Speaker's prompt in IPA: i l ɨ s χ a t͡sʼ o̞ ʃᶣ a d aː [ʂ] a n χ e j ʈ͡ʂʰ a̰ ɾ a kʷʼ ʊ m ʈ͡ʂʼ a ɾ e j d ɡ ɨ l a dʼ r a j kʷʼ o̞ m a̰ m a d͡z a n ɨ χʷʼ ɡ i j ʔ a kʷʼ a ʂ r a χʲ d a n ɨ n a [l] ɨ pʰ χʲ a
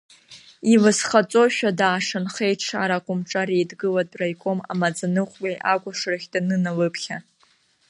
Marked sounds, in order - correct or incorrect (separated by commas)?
correct, correct